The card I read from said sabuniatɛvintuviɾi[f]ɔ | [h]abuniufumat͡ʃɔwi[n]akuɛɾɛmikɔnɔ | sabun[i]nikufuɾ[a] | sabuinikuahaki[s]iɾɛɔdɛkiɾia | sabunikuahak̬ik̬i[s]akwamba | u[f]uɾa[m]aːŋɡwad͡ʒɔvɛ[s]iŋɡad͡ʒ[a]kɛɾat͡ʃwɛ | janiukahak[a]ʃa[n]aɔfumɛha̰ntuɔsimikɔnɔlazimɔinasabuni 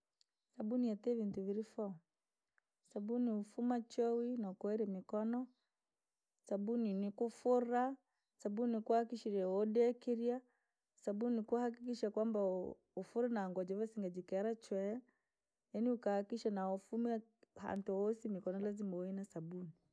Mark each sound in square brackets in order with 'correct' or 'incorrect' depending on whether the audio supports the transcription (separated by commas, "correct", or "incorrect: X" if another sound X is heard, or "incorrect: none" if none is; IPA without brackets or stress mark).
correct, incorrect: s, correct, correct, correct, incorrect: ʃ, incorrect: ʃ, correct, incorrect: n, correct, incorrect: i, incorrect: i, correct